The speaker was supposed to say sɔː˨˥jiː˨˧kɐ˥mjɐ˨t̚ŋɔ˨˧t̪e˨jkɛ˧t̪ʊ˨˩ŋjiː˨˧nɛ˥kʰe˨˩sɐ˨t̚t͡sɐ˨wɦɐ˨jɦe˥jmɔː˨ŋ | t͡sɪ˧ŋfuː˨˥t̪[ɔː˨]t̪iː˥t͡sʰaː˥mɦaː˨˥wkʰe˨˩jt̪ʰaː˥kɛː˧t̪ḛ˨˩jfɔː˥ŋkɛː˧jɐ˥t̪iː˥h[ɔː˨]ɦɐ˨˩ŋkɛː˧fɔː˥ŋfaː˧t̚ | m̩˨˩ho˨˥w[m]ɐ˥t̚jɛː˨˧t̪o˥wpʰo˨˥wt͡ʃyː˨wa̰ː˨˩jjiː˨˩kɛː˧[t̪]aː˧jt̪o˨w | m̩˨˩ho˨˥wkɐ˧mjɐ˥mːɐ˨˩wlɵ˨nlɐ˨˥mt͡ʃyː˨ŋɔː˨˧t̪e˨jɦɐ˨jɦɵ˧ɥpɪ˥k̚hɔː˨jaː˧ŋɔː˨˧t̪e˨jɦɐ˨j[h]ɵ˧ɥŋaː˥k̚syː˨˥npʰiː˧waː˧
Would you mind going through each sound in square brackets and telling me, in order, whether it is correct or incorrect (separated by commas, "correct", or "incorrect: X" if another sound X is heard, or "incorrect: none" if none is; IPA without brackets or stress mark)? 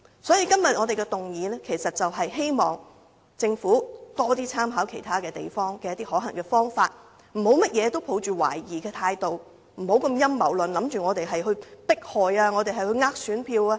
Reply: incorrect: ɔː˥, incorrect: ɔː˨˥, correct, incorrect: t̪ʰ, correct